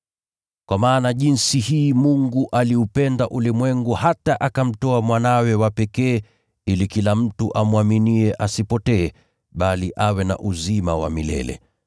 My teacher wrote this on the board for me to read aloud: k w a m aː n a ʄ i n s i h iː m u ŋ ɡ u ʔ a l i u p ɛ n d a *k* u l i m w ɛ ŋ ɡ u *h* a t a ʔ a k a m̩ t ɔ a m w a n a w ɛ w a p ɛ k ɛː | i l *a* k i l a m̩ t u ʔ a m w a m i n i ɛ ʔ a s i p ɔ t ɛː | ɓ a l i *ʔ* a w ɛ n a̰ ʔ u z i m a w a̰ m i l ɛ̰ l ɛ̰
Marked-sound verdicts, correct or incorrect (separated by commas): incorrect, correct, incorrect, correct